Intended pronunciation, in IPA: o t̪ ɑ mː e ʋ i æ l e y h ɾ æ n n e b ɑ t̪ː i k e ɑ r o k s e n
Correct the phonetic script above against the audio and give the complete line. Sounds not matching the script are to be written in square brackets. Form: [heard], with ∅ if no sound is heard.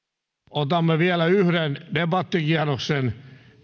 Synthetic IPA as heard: o t̪ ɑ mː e ʋ i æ l [æ] y h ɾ [e] n [d] e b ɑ t̪ː i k [i] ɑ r o k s e n